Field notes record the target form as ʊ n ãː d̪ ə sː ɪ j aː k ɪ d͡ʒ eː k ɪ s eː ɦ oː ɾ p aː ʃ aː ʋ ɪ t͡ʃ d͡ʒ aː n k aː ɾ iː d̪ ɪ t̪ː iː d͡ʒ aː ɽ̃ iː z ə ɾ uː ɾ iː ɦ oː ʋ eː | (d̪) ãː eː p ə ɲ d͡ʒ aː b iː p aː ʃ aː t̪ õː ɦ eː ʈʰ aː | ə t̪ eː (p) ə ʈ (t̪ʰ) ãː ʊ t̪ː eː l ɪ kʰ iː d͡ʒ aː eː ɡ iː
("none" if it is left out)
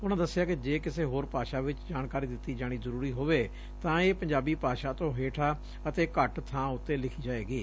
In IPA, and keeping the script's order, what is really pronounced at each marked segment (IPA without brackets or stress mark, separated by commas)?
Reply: t̪, k, t̪ʰ